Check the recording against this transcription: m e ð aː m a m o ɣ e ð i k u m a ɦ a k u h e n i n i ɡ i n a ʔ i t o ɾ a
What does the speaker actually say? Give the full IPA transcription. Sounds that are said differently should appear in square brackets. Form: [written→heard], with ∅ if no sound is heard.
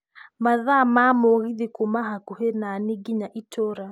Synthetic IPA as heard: m [e→a] ð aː m a m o ɣ [e→i] ð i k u m a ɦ a k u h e n [i→a] n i ɡ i [n→ɲ] a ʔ i t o ɾ a